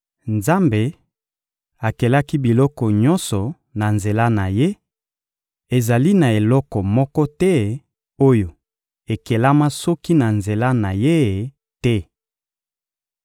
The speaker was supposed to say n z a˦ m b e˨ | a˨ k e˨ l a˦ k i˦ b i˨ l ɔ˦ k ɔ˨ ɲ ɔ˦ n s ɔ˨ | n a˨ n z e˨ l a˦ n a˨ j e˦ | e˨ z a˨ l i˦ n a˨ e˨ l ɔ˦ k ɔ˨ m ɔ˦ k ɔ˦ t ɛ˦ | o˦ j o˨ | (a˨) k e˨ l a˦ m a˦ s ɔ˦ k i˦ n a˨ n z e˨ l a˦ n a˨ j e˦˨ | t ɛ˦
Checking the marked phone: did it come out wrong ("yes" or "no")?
yes